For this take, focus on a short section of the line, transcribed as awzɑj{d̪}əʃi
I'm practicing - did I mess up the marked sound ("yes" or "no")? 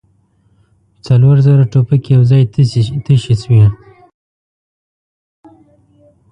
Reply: yes